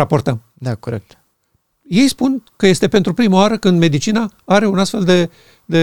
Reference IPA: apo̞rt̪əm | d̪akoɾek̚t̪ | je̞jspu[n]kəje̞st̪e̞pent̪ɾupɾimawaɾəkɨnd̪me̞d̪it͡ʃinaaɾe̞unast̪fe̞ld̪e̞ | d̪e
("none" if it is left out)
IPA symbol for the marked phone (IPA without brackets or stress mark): n